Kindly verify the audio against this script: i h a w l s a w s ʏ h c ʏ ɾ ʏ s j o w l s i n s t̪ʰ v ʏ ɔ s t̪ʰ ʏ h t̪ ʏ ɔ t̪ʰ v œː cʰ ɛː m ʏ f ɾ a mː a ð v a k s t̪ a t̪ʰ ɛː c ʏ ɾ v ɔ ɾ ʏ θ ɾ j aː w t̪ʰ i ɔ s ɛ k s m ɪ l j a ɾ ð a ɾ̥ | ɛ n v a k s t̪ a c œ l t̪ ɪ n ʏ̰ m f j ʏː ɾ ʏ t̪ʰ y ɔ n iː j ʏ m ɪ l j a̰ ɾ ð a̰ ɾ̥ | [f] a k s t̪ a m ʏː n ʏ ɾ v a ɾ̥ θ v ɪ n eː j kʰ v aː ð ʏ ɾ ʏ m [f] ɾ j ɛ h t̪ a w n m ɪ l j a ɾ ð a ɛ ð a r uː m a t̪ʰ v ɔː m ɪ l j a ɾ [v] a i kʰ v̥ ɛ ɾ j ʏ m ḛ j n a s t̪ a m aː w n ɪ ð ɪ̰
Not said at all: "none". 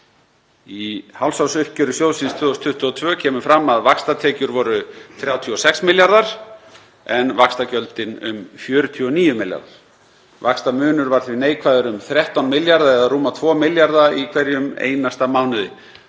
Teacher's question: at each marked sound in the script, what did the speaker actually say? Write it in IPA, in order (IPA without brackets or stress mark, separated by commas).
v, θ, ð